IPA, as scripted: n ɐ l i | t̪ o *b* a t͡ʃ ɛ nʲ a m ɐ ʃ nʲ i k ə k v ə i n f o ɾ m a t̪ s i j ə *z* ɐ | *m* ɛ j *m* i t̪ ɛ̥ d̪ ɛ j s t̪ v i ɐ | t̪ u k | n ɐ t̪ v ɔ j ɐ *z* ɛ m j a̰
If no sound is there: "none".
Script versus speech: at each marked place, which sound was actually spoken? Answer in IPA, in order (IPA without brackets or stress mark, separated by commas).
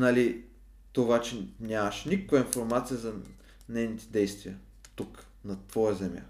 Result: v, z, n, n, z